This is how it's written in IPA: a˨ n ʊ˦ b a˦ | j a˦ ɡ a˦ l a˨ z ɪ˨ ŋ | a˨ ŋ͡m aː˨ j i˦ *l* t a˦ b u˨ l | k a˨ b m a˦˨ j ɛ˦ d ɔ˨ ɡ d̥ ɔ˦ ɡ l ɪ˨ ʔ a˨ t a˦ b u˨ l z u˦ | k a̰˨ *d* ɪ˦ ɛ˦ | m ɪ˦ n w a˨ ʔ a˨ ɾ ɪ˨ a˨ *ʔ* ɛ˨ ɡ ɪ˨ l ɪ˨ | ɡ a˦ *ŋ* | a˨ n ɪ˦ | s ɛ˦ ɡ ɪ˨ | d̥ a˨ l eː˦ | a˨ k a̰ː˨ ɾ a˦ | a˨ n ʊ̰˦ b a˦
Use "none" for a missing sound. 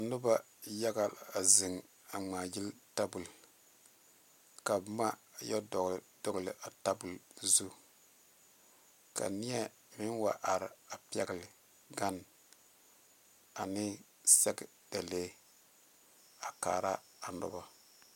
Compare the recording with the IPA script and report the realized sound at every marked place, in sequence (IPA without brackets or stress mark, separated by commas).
l, n, p, n